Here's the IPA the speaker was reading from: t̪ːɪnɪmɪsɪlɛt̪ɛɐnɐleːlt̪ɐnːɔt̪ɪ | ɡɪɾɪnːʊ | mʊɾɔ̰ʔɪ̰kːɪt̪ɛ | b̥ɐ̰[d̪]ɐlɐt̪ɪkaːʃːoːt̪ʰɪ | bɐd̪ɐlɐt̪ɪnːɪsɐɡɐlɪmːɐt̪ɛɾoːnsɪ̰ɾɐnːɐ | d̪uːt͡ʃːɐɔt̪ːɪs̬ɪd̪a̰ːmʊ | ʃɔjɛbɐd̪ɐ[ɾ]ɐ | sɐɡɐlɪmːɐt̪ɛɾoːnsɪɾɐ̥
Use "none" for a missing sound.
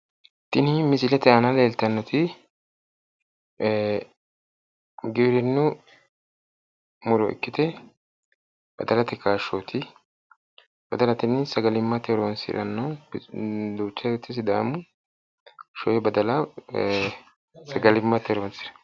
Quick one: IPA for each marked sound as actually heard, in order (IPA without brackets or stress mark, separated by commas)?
d̪, l